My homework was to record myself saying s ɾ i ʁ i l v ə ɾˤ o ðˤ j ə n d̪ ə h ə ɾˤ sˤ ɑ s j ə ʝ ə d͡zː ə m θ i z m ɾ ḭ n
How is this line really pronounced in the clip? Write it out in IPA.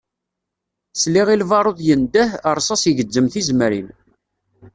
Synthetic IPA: s l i ʁ i l v ɑ ɾˤ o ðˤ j ə n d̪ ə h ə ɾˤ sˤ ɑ s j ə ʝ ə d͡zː ə m θ i z m ɾ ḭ n